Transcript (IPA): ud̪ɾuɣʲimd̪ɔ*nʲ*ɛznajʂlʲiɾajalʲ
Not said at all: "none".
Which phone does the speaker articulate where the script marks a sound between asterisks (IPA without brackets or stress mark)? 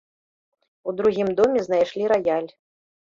mʲ